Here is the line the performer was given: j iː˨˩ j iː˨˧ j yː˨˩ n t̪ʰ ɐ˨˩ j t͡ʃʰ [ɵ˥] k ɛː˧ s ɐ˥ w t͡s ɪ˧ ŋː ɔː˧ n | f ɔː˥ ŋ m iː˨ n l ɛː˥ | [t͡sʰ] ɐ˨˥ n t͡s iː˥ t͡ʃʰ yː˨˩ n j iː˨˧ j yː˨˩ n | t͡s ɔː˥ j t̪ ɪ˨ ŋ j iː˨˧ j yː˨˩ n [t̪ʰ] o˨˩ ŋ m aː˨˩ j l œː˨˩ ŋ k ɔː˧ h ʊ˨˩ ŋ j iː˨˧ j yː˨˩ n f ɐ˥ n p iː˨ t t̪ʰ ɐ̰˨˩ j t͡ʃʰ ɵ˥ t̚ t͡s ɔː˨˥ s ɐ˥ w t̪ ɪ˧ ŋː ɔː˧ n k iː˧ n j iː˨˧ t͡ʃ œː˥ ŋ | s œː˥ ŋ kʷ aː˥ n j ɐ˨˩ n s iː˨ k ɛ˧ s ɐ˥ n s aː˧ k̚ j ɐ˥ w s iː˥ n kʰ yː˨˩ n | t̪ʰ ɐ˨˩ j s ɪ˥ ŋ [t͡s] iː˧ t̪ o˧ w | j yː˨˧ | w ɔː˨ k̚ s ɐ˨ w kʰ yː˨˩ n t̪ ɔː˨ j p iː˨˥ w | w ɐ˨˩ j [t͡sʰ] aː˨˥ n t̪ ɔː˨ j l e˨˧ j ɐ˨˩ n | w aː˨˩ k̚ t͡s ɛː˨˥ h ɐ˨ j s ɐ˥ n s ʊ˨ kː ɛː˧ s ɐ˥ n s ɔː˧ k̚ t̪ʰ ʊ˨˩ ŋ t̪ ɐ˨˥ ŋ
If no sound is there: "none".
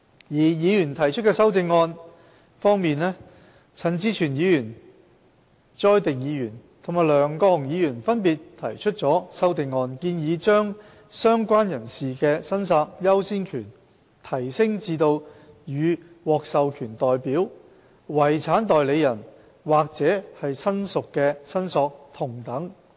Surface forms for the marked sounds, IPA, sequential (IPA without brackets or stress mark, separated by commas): ɵ˥, t͡sʰ, t̪ʰ, t͡s, t͡sʰ